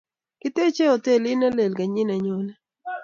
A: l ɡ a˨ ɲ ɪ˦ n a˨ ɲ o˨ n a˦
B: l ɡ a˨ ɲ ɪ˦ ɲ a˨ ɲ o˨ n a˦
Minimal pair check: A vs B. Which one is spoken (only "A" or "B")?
A